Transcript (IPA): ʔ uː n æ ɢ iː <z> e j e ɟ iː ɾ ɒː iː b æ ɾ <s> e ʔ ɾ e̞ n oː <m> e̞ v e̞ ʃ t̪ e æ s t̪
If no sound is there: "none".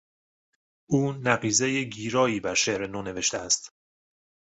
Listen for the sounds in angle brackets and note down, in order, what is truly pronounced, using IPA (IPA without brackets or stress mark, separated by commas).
z, ʃ, n